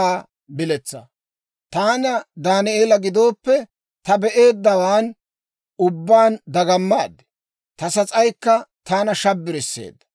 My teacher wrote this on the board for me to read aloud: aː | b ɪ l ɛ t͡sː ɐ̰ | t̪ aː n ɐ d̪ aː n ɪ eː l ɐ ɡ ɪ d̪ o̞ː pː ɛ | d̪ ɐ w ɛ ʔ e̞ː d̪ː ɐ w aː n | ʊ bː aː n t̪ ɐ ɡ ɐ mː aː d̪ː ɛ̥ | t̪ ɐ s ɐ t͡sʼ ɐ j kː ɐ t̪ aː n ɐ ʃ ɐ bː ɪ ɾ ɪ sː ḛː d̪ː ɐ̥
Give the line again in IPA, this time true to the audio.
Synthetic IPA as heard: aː | b ɪ l ɛ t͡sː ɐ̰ | t̪ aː n ɐ d̪ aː n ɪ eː l ɐ ɡ ɪ d̪ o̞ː pː ɛ | t̪ ɐ b ɛ ʔ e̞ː d̪ː ɐ w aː n | ʊ bː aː n d̪ ɐ ɡ ɐ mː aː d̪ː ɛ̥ | t̪ ɐ s ɐ t͡sʼ ɐ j kː ɐ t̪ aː n ɐ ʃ ɐ bː ɪ ɾ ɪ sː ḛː d̪ː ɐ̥